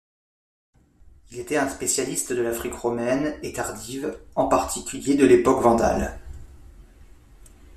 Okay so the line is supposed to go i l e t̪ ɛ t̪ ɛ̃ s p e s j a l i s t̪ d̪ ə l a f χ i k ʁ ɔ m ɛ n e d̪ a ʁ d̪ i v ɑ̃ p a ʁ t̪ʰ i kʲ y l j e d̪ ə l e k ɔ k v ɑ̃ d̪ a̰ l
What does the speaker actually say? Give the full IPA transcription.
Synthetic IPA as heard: i l e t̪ ɛ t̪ ɛ̃ s p e s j a l i s t̪ d̪ ə l a f χ i k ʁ ɔ m ɛ n e t̪ a ʁ d̪ i v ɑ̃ p a ʁ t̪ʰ i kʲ y l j e d̪ ə l e p ɔ k v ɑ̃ d̪ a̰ l